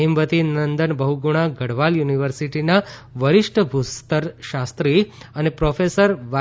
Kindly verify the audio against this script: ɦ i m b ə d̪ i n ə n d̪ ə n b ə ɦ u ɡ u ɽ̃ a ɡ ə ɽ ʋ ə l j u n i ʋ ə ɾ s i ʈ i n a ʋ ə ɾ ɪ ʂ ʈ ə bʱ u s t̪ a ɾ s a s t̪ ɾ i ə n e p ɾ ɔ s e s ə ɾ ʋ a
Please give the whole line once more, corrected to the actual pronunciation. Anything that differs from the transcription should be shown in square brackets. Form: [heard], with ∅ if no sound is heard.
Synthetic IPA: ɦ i m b ə [t̪] i n ə n d̪ ə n b ə ɦ u ɡ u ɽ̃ a ɡ ə ɽ ʋ [a] l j u n i ʋ ə ɾ s i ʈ i n a ʋ ə ɾ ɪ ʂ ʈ ə bʱ u s t̪ [ə] ɾ [ʃ] a s t̪ ɾ i ə n e p ɾ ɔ [f] e s ə ɾ ʋ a